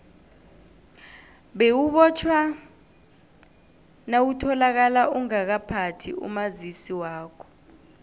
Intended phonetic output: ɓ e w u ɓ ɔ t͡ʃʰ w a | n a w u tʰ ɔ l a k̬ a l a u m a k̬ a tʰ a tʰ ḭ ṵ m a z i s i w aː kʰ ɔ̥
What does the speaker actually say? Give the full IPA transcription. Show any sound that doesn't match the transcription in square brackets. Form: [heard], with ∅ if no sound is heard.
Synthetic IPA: ɓ e w u ɓ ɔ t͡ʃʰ w a | n a w u tʰ ɔ l a k̬ a l a u [ŋ] a k̬ a [pʰ] a tʰ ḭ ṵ m a z i s i w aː kʰ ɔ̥